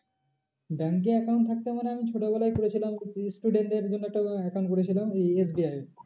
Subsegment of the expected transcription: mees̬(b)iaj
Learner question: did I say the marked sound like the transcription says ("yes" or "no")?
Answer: yes